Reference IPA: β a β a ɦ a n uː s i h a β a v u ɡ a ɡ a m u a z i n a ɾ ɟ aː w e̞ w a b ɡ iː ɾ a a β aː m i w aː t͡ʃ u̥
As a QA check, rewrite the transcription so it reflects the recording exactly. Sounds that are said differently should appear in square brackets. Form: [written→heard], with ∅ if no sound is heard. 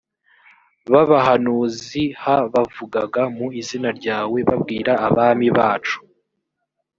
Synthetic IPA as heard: β a β a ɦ a n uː [s→z] i h a β a v u ɡ a ɡ a m u [a→i] z i n a ɾ ɟ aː w e̞ [w→β] a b ɡ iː ɾ a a β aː m i [w→β] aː t͡ʃ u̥

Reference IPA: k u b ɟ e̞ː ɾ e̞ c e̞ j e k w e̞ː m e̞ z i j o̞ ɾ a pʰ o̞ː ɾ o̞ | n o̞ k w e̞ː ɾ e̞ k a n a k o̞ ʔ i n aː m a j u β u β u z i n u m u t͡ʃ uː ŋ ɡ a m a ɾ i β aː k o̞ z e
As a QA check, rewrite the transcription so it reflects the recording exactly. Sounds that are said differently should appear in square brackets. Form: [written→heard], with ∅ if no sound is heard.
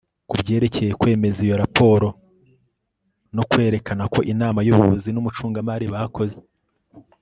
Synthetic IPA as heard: k u b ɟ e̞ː ɾ e̞ c e̞ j e k w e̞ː m e̞ z i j o̞ ɾ a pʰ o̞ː ɾ o̞ | n o̞ k w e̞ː ɾ e̞ k a n a k o̞ ʔ i n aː m a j u β u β u z i n u m u t͡ʃ uː ŋ ɡ a m a ɾ i β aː k o̞ z e

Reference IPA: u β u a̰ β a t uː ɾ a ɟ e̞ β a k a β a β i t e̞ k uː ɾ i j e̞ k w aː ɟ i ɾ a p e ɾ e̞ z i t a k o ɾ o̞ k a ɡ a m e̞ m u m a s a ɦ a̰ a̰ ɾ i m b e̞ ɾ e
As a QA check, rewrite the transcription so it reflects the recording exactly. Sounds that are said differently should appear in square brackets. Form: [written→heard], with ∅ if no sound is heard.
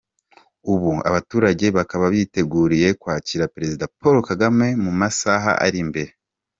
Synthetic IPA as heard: u β u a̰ β a t uː ɾ a ɟ e̞ β a k a β a β i t e̞ [k→ɡ] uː ɾ i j e̞ k w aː [ɟ→c] i ɾ a p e ɾ e̞ z i [t→d] a [k→p] o ɾ o̞ k a ɡ a m e̞ m u m a s a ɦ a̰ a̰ ɾ i m b e̞ ɾ e

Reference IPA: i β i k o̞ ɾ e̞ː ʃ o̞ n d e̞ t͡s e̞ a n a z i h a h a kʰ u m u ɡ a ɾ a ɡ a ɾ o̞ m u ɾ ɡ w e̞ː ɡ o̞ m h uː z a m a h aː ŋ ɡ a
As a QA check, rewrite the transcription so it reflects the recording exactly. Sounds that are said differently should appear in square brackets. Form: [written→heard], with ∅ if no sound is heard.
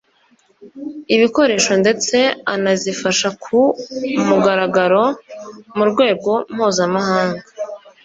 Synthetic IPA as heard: i β i k o̞ ɾ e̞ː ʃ o̞ n d e̞ t͡s e̞ a n a z i [h→f] a [h→ʃ] a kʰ u m u ɡ a ɾ a ɡ a ɾ o̞ m u ɾ ɡ w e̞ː ɡ o̞ m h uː z a m a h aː ŋ ɡ a

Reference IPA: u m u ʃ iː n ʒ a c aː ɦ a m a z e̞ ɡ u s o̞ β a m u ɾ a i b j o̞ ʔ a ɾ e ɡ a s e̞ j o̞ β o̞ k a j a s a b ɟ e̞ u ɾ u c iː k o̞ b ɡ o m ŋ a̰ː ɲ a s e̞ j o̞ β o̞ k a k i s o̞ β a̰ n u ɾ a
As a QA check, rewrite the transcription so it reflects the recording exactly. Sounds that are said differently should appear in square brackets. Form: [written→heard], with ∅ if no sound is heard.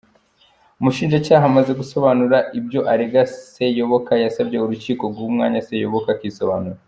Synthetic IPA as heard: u m u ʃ iː n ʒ a c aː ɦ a m a z e̞ ɡ u s o̞ β a [m→n] u ɾ a i b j o̞ ʔ a ɾ e ɡ a s e̞ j o̞ β o̞ k a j a s a b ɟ e̞ u ɾ u c iː k o̞ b ɡ [o→u] m ŋ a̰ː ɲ a s e̞ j o̞ β o̞ k a k i s o̞ β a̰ n u ɾ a

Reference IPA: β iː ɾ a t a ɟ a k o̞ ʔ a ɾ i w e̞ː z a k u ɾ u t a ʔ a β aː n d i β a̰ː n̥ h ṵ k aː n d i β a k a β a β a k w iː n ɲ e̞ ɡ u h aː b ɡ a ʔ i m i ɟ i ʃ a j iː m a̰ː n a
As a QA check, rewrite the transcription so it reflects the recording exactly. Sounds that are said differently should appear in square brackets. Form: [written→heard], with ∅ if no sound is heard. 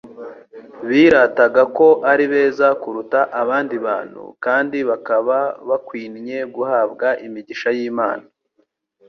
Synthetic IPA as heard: β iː ɾ a t a [ɟ→ɡ] a k o̞ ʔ a ɾ i [w→β] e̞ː z a k u ɾ u t a ʔ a β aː n d i β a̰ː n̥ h ṵ k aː n d i β a k a β a β a k w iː n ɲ e̞ ɡ u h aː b ɡ a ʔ i m i ɟ i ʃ a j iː m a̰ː n a

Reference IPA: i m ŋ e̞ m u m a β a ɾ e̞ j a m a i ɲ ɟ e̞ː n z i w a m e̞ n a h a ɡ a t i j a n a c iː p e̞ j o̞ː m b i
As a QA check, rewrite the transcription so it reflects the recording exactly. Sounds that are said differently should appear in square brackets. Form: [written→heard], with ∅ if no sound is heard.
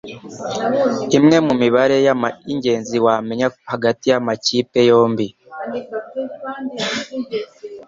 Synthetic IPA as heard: i m ŋ e̞ m u m [a→i] β a ɾ e̞ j a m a i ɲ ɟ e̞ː n z i w a m e̞ [n→ɲ] a h a ɡ a t i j a [n→m] a c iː p e̞ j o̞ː m b i

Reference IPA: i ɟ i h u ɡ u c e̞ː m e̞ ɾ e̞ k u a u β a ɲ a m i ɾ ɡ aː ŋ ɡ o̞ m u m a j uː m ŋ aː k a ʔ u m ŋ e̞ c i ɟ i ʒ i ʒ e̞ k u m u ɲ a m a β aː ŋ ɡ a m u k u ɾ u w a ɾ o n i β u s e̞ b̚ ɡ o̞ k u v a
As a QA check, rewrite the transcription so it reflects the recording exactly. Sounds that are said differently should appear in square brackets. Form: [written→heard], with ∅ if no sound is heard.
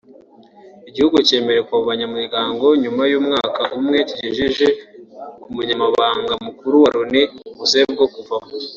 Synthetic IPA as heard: i ɟ i h u ɡ u c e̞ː m e̞ ɾ e̞ k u a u β a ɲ a m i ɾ ɡ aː ŋ ɡ o̞ [m→ɲ] u m a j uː m ŋ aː k a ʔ u m ŋ e̞ c i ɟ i ʒ i ʒ e̞ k u m u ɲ a m a β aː ŋ ɡ a m u k u ɾ u w a ɾ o n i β u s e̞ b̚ ɡ o̞ k u v a

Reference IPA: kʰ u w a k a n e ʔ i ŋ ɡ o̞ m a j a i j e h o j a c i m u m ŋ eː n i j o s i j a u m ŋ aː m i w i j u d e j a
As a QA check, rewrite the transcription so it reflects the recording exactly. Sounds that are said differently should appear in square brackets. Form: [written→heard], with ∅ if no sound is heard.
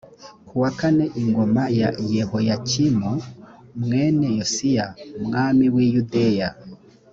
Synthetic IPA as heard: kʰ u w a k a n e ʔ i ŋ ɡ o̞ m a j a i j e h o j a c i m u m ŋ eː n [i→e] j o s i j a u m ŋ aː m i w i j u d e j a

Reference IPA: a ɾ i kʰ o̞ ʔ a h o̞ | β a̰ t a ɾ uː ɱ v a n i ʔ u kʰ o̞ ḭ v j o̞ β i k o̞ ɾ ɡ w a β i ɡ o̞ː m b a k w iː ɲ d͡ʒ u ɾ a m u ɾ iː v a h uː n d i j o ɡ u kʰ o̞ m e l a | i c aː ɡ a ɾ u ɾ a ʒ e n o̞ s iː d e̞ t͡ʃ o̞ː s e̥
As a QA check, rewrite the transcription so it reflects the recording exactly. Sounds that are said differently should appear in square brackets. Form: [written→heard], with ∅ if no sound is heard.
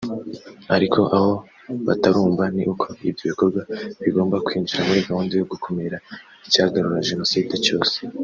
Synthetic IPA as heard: a ɾ i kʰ o̞ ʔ a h o̞ | β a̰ t a ɾ uː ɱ v a n i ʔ u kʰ o̞ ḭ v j o̞ β i k o̞ ɾ ɡ w a β i ɡ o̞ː m b a k w iː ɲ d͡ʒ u ɾ a m u ɾ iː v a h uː n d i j o ɡ u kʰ o̞ m e [l→ɾ] a | i c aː ɡ a ɾ u ɾ a ʒ e n o̞ s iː d e̞ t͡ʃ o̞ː s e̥

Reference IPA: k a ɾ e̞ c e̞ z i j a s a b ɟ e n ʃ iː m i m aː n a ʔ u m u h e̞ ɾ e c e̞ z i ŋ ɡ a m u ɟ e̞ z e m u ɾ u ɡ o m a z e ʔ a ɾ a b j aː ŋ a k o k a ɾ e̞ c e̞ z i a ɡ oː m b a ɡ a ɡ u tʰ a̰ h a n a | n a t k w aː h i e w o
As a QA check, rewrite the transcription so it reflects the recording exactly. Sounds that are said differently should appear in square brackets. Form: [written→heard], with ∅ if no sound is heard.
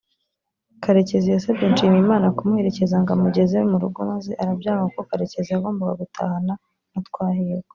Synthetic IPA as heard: k a ɾ e̞ c e̞ z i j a s a b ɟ e n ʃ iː m i m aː n a [ʔ→k] u m u h e̞ ɾ e c e̞ z [i→a] ŋ ɡ a m u ɟ e̞ z e m u ɾ u ɡ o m a z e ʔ a ɾ a b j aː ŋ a k o k a ɾ e̞ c e̞ z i a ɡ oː m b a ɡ a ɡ u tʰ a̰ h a n a | n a t k w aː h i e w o

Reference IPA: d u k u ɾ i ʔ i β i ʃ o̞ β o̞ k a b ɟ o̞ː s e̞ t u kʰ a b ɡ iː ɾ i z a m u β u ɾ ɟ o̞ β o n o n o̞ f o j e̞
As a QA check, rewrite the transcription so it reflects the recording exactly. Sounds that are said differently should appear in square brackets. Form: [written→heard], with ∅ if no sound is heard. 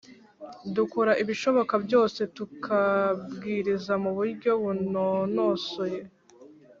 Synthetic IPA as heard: d u k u ɾ [i→a] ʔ i β i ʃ o̞ β o̞ k a b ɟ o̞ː s e̞ t u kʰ a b ɡ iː ɾ i z a m u β u ɾ ɟ o̞ β [o→u] n o n o̞ [f→s] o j e̞

